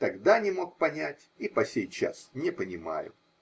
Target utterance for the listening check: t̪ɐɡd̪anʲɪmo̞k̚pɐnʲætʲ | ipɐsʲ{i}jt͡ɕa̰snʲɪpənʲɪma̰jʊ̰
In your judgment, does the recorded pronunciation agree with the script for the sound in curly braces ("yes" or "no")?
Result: no